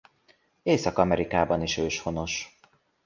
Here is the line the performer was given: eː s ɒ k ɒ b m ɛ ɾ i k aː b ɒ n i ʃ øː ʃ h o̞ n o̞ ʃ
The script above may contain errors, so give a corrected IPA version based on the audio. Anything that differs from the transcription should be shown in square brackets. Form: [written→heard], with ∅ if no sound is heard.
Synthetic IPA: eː s ɒ k ɒ [b→∅] m ɛ ɾ i k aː b ɒ n i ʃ øː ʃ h o̞ n o̞ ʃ